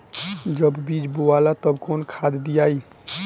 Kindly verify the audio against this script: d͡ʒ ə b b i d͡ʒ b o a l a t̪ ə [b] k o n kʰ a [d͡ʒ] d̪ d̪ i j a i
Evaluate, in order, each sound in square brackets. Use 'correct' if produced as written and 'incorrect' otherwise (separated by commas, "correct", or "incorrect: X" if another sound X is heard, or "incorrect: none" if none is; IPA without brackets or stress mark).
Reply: correct, incorrect: none